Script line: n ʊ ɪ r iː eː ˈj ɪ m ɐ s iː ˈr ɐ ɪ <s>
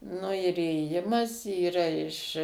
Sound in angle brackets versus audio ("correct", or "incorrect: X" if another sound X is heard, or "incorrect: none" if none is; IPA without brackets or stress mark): incorrect: ʃ